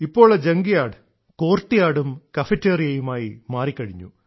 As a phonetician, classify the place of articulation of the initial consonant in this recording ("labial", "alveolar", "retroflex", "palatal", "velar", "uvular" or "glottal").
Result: labial